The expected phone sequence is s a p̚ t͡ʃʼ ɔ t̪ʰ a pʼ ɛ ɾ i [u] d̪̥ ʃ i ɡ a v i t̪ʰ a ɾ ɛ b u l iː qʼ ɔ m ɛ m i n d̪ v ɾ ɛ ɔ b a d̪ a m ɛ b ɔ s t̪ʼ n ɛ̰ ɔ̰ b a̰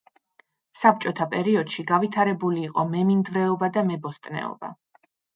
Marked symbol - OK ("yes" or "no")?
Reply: no